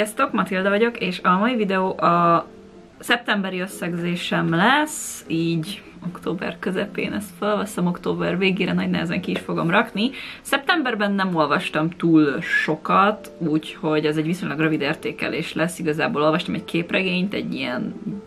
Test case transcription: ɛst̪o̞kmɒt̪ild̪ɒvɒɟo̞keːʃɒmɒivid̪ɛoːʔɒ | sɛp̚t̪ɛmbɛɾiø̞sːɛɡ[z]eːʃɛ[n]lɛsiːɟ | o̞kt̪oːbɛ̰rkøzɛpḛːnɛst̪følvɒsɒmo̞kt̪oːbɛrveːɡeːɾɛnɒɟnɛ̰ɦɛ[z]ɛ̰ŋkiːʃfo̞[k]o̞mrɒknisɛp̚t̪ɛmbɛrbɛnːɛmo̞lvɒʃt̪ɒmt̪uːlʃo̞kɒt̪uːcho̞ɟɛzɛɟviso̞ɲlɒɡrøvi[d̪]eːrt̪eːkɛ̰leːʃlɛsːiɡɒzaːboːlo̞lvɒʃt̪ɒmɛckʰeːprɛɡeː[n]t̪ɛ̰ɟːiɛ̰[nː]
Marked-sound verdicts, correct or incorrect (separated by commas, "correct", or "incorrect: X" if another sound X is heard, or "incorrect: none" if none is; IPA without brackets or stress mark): correct, incorrect: m, correct, incorrect: ɡ, correct, incorrect: ɲ, incorrect: n